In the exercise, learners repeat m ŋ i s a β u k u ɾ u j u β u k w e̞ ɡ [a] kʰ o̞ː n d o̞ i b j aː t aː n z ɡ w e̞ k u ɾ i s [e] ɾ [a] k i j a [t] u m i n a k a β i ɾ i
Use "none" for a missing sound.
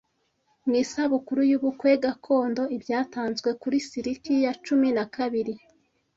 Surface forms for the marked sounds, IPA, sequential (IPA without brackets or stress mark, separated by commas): a, i, i, t͡ʃ